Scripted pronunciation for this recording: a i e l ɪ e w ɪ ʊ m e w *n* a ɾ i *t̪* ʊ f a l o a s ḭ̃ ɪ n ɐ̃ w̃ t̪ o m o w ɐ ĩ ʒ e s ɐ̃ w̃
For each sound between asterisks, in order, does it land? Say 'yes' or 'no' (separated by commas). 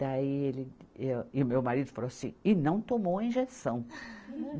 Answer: no, no